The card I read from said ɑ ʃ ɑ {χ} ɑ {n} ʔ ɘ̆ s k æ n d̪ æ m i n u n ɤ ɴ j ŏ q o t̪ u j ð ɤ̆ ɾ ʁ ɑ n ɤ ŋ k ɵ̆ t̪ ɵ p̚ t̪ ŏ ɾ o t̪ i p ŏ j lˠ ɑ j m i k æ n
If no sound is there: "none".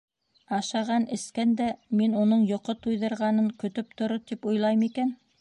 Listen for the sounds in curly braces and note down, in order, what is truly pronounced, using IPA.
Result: ʁ, n

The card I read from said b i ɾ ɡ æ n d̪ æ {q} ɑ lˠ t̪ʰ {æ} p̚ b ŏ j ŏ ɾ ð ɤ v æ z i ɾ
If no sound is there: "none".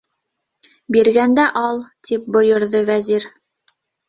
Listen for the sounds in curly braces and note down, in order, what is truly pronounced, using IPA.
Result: ʔ, i

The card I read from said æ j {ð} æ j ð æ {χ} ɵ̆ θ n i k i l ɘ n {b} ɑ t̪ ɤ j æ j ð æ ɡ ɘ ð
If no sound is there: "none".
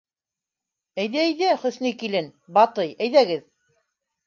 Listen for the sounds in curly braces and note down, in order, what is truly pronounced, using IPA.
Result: ð, χ, b

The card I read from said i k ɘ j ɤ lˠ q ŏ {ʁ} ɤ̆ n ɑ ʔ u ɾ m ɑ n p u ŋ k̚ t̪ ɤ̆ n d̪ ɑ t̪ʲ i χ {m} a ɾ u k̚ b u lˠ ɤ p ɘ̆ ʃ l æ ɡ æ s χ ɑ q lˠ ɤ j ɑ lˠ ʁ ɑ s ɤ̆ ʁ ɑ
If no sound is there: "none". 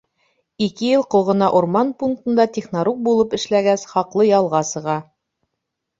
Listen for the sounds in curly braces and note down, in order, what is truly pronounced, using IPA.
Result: ʁ, n

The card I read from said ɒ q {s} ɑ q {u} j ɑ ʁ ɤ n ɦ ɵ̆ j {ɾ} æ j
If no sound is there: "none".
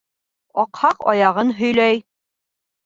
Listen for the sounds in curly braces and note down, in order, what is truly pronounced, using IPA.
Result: h, ɒ, l

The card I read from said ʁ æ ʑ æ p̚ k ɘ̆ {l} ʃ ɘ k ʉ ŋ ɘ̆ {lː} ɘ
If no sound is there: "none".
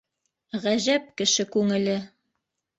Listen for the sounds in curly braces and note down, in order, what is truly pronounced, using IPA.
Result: none, l

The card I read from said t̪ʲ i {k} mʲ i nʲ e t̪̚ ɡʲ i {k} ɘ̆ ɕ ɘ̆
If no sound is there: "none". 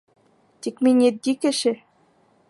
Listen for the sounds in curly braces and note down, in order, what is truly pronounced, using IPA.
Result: k, k

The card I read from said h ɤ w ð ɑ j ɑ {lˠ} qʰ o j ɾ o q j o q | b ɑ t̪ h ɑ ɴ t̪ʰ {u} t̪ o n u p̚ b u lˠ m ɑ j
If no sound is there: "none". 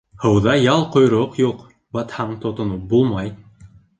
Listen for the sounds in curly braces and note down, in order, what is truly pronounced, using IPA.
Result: lˠ, o

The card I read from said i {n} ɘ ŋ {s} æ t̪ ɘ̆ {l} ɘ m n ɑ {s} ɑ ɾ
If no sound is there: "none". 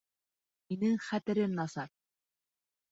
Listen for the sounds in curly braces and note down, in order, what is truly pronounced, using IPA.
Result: n, χ, ɾ, s

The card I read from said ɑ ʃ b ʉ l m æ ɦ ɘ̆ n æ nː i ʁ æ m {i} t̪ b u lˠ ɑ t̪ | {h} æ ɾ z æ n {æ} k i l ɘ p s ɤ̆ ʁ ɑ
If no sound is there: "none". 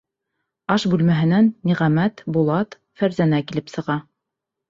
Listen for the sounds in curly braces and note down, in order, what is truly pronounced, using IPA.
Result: æ, f, æ

